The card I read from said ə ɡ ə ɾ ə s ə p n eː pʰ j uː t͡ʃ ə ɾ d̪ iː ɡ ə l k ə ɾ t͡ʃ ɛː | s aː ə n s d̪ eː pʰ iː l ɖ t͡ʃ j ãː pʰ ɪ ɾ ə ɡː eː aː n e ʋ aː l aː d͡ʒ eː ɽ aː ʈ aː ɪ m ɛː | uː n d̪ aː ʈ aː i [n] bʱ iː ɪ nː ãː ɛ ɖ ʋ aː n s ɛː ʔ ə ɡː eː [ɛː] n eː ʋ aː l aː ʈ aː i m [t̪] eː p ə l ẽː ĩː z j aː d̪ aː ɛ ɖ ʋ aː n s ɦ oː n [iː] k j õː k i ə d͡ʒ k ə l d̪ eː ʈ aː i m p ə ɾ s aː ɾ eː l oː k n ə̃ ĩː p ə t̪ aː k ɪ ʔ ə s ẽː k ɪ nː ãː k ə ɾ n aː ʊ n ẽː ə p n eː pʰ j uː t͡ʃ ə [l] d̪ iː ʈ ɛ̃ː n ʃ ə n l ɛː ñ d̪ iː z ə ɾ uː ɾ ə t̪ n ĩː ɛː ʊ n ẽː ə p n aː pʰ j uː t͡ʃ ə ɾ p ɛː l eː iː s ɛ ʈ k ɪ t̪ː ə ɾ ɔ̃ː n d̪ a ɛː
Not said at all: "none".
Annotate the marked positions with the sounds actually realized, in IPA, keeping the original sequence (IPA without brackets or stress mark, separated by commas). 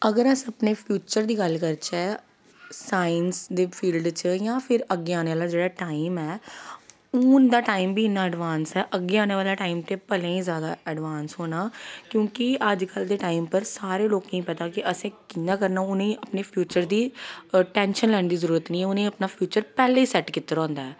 m, aː, t̪, aː, ɾ